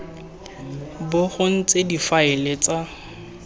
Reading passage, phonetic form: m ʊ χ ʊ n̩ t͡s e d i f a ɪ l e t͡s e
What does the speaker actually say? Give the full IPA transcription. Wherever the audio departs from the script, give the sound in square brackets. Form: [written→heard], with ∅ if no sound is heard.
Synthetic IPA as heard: [m→b] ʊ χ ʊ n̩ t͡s e d i f a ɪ l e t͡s [e→a]